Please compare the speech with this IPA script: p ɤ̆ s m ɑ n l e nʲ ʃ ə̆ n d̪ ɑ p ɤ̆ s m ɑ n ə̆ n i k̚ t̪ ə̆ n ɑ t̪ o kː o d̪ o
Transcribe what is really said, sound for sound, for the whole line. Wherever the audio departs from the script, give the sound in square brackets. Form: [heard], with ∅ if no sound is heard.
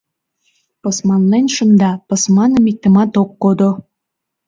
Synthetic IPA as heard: p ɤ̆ s m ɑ n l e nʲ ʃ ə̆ n d̪ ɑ p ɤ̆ s m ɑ n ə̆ [m] i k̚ t̪ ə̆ [m] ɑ t̪ o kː o d̪ o